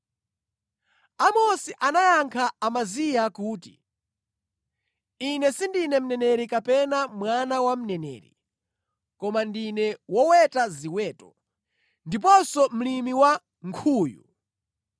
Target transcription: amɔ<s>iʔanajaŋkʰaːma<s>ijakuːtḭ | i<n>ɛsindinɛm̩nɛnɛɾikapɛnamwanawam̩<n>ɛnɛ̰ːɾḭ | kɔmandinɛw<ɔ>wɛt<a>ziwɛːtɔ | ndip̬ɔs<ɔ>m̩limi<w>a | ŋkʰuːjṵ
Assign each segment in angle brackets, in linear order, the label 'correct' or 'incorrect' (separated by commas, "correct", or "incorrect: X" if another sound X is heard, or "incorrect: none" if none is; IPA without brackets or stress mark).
correct, incorrect: z, correct, correct, correct, correct, correct, correct